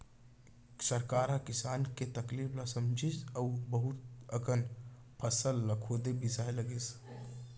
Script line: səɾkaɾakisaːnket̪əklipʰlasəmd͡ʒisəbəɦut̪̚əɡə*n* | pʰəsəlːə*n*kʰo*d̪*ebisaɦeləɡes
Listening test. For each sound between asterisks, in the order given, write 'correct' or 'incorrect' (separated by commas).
correct, incorrect, correct